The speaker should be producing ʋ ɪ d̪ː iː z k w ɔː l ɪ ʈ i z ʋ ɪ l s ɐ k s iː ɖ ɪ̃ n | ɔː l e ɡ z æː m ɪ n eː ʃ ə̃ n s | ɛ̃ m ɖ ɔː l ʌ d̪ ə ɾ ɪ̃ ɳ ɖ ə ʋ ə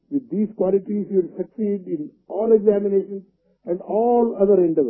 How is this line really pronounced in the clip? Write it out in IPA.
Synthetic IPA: ʋ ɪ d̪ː iː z k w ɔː l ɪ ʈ i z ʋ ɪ l s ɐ k s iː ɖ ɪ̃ n | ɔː l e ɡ z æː m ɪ n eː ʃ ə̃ n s | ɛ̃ ɳ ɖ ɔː l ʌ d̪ ə ɾ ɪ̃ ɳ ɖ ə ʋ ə